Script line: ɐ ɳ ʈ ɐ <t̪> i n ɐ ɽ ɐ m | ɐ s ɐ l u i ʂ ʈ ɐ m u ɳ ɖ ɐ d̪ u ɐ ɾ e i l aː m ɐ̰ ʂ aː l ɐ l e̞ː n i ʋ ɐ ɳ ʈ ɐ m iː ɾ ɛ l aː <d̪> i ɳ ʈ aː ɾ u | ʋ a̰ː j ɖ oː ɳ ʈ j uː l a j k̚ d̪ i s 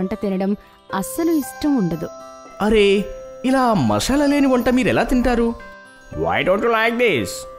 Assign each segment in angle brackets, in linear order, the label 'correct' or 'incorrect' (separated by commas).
correct, incorrect